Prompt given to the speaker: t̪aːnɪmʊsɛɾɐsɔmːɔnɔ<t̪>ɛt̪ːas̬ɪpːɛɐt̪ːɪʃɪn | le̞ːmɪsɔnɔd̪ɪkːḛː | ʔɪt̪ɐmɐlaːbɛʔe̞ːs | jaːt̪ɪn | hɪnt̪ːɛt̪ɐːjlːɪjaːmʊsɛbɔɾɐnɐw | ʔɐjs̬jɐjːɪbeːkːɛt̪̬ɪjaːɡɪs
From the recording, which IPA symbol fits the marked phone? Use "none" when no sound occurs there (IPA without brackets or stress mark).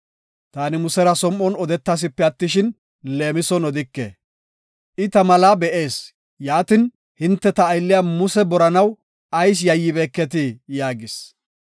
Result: d̪